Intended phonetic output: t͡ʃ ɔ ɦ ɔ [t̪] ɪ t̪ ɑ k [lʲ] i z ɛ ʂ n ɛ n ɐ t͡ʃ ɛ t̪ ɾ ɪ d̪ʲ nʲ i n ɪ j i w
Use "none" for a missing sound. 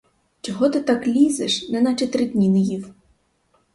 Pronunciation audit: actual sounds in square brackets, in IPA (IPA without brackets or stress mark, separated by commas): t̪, lʲ